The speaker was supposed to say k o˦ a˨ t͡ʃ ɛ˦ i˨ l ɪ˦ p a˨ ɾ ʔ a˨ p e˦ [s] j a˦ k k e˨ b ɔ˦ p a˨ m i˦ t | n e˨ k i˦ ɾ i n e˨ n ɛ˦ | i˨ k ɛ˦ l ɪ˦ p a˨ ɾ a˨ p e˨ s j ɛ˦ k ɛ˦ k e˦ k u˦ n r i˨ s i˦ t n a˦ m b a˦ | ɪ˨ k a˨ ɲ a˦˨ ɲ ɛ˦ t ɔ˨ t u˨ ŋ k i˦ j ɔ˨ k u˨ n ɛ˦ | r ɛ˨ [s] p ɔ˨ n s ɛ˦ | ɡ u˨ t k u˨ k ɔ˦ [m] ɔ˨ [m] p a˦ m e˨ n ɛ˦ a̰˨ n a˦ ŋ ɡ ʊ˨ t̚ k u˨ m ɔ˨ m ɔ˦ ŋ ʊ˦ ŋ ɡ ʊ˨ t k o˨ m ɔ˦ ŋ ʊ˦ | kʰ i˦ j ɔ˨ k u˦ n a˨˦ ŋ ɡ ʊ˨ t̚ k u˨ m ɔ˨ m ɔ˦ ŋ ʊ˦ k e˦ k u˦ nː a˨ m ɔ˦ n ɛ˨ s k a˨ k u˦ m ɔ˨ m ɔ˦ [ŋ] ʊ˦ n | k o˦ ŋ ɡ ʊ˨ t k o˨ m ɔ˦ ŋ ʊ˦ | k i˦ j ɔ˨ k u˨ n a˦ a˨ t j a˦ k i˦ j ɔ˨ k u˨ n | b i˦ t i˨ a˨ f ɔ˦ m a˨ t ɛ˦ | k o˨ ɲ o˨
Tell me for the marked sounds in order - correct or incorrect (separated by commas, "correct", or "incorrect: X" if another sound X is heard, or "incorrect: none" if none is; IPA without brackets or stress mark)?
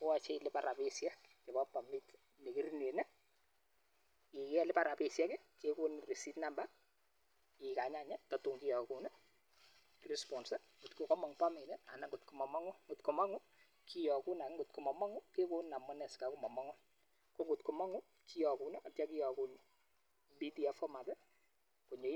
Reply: correct, correct, correct, incorrect: ŋ, correct